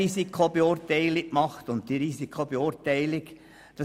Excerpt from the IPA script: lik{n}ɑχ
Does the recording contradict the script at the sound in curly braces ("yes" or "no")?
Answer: yes